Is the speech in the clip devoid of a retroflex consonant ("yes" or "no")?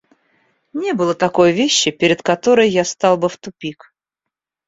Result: yes